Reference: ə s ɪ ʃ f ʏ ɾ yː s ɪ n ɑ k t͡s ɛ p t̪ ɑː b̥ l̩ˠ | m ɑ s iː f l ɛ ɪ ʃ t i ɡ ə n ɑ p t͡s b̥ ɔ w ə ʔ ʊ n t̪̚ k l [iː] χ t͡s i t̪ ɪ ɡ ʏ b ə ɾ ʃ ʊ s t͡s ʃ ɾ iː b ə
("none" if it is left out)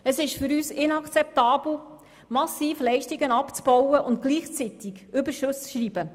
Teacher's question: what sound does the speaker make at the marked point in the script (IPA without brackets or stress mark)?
iː